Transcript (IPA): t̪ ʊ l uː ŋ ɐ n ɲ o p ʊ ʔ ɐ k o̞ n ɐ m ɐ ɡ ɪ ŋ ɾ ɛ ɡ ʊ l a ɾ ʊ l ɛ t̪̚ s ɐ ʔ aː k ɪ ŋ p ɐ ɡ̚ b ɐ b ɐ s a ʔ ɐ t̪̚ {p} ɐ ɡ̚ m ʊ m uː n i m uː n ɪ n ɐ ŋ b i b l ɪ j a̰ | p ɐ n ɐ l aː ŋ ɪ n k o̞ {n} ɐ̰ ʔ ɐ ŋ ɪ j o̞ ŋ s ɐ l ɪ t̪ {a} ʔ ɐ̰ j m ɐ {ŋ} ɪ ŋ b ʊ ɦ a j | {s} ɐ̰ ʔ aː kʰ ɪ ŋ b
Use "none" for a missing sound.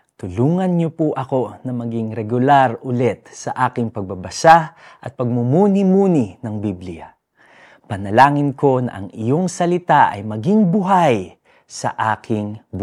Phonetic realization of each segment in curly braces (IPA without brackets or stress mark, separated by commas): p, n, a, ɡ, s